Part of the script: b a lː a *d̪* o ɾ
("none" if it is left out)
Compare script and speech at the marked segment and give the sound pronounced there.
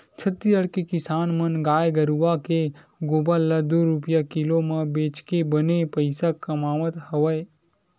d̪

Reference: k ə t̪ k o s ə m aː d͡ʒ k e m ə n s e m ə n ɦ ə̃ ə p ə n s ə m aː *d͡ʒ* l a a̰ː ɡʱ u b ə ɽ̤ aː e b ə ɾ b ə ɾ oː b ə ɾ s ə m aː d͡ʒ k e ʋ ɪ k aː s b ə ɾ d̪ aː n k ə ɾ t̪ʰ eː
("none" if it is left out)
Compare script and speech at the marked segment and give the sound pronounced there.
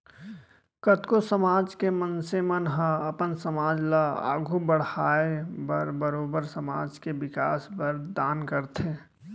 d͡ʒ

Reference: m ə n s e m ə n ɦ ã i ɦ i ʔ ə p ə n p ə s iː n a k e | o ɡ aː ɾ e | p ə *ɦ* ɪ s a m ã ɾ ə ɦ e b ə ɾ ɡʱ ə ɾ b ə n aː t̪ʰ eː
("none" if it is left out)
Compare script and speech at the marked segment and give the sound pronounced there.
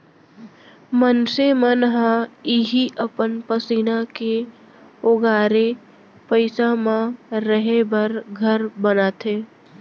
none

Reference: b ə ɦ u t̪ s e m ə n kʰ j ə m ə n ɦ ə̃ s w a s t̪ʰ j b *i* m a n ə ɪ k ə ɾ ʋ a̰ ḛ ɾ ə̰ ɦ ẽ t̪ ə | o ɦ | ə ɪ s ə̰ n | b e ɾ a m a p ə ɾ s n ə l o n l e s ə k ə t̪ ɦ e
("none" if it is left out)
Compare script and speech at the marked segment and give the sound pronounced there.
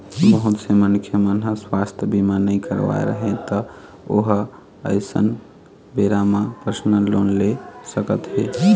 i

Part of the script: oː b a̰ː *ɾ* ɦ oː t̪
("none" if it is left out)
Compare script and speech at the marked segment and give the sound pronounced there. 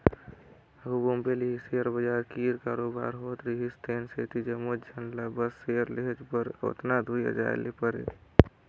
ɾ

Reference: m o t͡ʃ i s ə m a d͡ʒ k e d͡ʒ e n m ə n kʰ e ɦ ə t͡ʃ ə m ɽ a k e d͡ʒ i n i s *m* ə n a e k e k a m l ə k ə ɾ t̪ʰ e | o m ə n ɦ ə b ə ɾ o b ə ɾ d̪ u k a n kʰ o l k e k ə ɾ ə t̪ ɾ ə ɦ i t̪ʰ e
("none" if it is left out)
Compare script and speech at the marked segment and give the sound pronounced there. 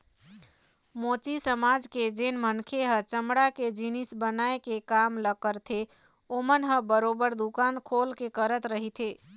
b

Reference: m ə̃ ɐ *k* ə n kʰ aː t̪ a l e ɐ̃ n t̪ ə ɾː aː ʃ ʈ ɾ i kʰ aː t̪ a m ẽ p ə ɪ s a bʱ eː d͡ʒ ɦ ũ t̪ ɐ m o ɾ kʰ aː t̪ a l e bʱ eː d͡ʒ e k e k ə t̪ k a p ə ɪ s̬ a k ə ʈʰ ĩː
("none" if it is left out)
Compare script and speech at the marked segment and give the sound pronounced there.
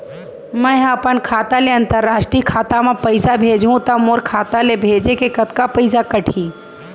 p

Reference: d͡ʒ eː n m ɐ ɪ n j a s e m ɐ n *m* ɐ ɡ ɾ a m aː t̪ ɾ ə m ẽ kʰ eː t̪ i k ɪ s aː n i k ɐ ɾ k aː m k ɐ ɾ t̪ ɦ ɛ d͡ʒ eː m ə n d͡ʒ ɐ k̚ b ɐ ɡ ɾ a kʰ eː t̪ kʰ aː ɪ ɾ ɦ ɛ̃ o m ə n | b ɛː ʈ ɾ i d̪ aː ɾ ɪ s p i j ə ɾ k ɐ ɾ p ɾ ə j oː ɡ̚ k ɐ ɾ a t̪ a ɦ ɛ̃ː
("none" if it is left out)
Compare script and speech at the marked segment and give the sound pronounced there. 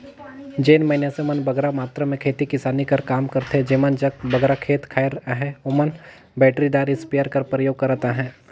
b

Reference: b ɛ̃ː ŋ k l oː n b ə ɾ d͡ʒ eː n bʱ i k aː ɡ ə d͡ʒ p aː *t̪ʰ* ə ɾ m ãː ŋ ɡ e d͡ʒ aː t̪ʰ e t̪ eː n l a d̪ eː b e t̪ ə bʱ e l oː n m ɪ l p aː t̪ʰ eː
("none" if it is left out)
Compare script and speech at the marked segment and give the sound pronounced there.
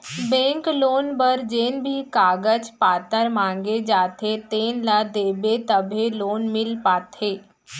t̪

